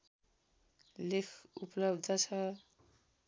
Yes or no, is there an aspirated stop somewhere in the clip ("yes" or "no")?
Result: yes